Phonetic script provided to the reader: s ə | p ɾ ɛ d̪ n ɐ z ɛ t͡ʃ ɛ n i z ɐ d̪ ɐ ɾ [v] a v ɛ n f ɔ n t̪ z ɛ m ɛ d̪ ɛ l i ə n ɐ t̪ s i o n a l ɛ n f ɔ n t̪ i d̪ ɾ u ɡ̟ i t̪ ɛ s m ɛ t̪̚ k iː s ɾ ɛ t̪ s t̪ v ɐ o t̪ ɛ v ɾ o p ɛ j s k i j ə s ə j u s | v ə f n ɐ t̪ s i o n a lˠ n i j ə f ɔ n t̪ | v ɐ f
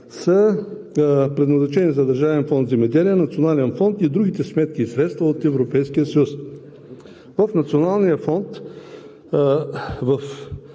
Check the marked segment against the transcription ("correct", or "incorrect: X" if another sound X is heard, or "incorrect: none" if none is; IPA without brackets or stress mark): incorrect: ʒ